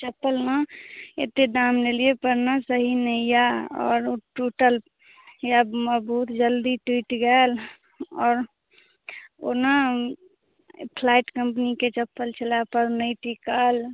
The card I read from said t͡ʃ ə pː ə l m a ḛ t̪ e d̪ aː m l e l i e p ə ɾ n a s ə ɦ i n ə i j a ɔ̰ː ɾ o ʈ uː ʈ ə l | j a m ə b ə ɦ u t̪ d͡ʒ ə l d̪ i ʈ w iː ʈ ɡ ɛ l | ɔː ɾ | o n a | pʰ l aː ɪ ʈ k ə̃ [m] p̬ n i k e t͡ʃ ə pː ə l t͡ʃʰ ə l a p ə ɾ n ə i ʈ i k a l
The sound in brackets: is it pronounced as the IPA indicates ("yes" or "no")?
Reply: yes